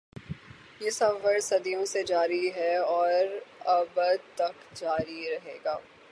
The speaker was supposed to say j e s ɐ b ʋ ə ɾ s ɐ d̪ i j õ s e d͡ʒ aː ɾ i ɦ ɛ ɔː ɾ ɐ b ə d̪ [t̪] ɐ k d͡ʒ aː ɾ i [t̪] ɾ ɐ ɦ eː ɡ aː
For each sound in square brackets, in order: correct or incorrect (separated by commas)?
correct, incorrect